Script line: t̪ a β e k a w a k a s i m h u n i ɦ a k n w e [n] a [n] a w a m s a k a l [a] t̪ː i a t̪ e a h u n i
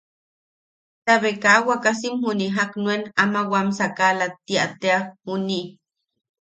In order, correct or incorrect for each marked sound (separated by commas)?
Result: correct, incorrect, correct